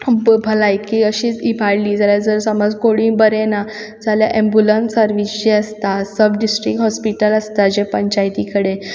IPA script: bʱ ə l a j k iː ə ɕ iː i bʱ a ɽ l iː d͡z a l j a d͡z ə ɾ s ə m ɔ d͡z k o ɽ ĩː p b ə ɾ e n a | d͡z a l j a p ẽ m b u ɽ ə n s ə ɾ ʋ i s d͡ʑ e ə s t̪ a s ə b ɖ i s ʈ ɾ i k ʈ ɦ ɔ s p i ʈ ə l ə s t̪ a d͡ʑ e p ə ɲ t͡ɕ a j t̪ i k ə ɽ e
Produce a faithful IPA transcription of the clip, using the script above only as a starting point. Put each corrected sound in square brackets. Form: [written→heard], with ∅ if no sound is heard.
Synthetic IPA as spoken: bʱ ə l a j k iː ə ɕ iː i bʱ a ɽ l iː d͡z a l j a d͡z ə ɾ s ə m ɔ d͡z k o ɽ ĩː [p→∅] b ə ɾ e n a | d͡z a l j a [p→ʔ] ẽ m b u [ɽ→l] ə n s ə ɾ ʋ i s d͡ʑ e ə s t̪ a s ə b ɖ i s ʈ ɾ i k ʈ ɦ ɔ s p i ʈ ə l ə s t̪ a d͡ʑ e p ə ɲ t͡ɕ a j t̪ i k ə ɽ e